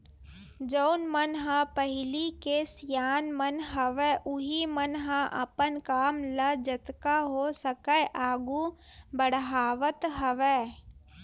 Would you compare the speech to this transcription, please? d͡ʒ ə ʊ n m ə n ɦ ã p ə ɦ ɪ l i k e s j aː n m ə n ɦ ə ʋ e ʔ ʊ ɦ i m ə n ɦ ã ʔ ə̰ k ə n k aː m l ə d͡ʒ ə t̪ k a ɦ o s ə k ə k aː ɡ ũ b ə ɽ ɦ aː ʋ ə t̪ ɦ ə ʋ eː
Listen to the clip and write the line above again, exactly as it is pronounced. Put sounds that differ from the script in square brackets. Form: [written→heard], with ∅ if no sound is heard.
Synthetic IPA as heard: d͡ʒ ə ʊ n m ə n ɦ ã p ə ɦ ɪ l i k e s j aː n m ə n ɦ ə ʋ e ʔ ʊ ɦ i m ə n ɦ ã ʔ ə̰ [k→p] ə n k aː m l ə d͡ʒ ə t̪ k a ɦ o s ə k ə [k→ʔ] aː ɡ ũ b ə ɽ ɦ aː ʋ ə t̪ ɦ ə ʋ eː